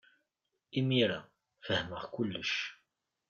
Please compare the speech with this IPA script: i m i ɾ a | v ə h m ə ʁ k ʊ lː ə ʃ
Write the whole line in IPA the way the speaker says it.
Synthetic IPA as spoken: i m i ɾ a | f ə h m ə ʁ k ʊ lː ə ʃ